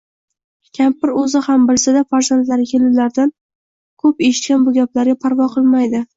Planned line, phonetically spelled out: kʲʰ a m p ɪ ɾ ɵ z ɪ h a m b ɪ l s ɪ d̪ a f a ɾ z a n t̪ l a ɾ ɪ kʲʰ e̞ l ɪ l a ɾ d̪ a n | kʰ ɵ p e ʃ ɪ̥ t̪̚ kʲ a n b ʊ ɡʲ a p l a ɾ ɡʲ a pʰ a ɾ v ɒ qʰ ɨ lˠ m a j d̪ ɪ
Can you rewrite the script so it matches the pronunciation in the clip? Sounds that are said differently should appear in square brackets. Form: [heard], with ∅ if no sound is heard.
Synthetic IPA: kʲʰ a m p ɪ ɾ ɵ z ɪ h a m b ɪ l s ɪ d̪ a f a ɾ z a n t̪ l a ɾ ɪ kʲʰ e̞ l ɪ l a ɾ d̪ a n | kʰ ɵ p e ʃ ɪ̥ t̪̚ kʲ a n b ʊ ɡʲ a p l a ɾ ɡʲ a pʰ a ɾ v ɒ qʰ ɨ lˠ m a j d̪ ɪ